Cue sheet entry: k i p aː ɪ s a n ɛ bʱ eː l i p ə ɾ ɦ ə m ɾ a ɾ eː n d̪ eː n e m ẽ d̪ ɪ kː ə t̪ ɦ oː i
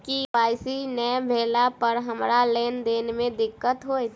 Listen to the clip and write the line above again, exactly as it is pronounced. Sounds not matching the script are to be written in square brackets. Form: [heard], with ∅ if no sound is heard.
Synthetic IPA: k i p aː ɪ s [i] n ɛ bʱ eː l [a] p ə ɾ ɦ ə m ɾ a [l] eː n d̪ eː n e m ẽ d̪ ɪ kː ə t̪ ɦ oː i